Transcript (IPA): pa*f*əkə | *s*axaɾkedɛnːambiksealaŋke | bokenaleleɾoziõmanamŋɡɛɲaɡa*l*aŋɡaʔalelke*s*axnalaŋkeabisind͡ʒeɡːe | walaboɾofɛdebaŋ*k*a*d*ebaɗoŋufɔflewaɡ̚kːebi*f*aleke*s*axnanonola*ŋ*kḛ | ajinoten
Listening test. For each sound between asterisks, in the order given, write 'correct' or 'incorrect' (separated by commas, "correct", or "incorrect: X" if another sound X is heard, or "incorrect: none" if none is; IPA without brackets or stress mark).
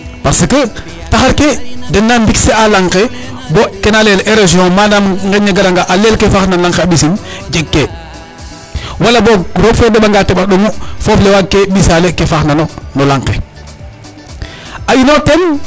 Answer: incorrect: s, incorrect: t, incorrect: ɾ, incorrect: f, incorrect: ɡ, incorrect: t, incorrect: s, incorrect: f, correct